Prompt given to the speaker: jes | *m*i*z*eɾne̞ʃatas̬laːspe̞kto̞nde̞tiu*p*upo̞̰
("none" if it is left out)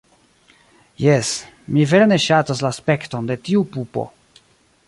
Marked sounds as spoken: m, v, p

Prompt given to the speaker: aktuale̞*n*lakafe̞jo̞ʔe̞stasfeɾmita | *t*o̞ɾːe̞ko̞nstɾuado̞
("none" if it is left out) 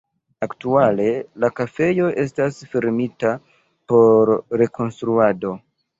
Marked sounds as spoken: none, p

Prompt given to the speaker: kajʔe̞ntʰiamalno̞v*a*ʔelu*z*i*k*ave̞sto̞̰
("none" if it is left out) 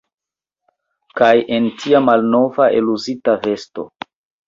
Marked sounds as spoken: a, z, t

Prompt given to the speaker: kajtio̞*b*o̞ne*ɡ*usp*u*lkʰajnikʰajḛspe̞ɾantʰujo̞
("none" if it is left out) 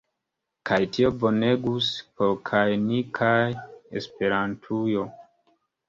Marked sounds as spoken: b, ɡ, o

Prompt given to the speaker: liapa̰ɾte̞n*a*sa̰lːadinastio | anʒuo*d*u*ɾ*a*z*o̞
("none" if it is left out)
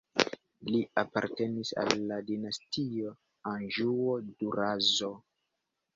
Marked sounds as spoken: i, d, ɾ, z

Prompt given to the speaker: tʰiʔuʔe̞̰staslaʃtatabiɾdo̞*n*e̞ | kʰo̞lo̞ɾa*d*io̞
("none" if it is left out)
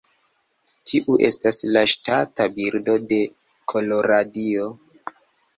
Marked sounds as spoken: d, d

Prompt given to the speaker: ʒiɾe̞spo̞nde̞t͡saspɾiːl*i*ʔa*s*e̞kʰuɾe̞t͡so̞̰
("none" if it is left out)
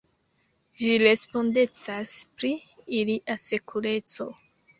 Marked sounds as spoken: i, s

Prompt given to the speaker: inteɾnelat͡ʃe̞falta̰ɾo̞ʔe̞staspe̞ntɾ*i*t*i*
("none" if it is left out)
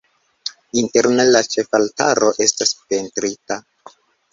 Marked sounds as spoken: i, a

